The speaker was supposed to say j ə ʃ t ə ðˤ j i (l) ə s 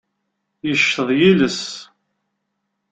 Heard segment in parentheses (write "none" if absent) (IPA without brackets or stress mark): l